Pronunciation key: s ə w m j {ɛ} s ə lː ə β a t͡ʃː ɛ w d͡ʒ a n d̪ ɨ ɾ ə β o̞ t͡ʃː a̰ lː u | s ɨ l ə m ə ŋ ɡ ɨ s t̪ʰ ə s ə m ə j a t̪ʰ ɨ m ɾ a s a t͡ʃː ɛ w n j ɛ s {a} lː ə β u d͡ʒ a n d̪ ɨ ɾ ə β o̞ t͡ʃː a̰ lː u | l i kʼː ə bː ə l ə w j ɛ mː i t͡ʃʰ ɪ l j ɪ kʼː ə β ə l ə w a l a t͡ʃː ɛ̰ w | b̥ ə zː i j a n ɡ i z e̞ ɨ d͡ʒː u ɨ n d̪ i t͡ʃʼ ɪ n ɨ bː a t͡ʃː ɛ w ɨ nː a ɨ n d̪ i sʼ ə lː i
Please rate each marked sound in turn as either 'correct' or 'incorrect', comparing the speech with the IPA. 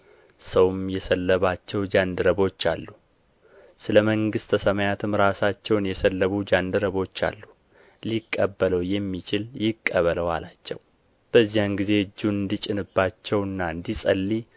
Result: correct, incorrect: ə

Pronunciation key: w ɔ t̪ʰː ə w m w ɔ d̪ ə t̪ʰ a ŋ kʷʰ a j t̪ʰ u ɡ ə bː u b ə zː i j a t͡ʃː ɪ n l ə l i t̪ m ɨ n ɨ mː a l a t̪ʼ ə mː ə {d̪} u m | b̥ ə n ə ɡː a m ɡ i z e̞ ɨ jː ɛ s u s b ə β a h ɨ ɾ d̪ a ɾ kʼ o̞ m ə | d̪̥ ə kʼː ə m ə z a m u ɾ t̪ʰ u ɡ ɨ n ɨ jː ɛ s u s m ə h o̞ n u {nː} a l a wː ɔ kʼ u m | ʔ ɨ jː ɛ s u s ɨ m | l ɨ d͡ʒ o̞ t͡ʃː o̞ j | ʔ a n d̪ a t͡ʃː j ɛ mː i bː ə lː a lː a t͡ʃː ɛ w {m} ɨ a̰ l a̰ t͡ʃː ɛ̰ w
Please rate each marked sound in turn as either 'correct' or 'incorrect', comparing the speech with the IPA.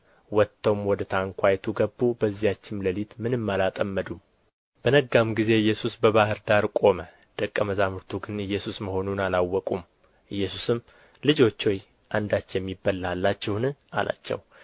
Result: correct, incorrect: n, incorrect: n

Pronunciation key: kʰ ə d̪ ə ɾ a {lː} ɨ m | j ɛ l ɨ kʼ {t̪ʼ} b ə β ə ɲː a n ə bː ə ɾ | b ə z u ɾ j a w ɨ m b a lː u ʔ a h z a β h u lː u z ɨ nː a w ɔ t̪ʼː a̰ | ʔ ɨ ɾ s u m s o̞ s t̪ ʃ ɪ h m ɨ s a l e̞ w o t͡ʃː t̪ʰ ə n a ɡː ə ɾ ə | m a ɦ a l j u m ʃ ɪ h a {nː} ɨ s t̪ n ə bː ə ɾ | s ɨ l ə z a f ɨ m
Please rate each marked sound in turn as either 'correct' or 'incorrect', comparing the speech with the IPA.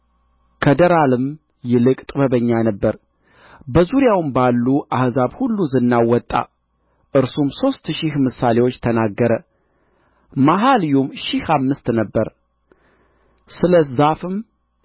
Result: incorrect: l, correct, incorrect: mː

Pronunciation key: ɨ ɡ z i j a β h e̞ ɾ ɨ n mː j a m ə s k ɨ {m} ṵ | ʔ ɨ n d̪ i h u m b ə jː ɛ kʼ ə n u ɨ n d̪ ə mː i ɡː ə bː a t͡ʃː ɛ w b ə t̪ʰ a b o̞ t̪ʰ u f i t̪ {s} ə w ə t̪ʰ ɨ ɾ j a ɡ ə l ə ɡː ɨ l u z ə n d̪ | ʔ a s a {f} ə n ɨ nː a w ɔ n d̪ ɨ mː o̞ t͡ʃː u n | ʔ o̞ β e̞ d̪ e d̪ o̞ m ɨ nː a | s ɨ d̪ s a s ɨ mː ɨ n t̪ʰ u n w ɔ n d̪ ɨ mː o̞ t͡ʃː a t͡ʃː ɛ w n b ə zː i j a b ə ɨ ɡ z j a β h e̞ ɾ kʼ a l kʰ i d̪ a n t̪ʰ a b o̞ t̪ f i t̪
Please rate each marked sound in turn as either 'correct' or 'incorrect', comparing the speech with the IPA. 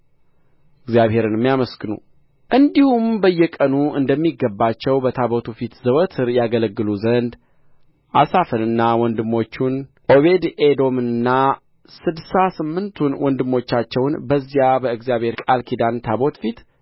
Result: incorrect: n, incorrect: z, correct

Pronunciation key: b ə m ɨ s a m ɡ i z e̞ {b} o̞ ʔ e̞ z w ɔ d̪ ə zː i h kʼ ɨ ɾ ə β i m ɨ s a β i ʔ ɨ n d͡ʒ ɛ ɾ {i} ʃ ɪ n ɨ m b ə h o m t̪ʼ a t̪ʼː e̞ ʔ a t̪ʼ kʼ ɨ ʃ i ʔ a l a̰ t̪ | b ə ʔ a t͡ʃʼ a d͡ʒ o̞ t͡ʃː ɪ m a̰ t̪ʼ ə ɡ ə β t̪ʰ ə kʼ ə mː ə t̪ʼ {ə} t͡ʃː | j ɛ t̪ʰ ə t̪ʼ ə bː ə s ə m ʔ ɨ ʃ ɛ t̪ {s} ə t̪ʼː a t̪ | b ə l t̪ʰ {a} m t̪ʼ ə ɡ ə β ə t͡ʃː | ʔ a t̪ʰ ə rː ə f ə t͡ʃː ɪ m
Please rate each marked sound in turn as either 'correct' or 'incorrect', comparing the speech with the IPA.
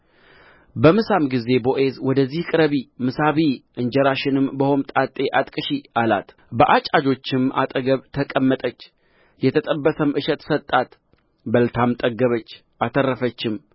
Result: correct, incorrect: a, correct, correct, correct

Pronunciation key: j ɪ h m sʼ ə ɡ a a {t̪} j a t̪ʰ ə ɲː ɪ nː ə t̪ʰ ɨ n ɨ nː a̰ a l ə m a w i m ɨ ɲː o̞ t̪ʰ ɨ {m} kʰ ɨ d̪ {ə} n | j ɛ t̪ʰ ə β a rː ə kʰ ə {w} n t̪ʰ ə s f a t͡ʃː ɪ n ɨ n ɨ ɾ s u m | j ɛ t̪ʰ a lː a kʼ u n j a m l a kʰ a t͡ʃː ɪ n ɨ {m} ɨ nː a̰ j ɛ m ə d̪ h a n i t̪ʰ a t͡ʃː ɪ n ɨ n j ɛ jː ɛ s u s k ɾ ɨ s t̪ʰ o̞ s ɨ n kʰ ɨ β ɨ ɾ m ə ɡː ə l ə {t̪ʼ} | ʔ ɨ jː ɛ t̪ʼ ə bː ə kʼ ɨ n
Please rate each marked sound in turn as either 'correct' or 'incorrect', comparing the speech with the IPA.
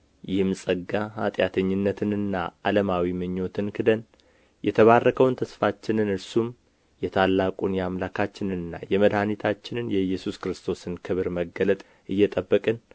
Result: incorrect: t̪ʼ, incorrect: n, correct, correct, incorrect: n, correct

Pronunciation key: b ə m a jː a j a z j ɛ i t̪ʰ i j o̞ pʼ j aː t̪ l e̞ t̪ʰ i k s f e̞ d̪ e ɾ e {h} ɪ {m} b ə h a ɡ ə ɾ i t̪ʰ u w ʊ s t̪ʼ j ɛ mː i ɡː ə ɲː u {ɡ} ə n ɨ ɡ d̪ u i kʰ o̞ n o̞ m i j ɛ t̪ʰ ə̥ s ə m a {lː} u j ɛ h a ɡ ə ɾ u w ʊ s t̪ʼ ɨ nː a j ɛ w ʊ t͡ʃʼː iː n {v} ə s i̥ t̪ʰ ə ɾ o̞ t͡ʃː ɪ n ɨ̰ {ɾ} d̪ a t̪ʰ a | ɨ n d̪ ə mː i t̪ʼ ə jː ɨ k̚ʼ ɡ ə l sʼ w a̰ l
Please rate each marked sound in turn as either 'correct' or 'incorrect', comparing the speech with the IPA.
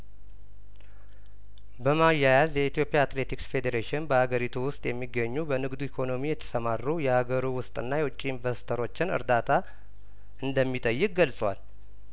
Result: incorrect: ʃ, incorrect: n, incorrect: b, incorrect: rː, correct, correct

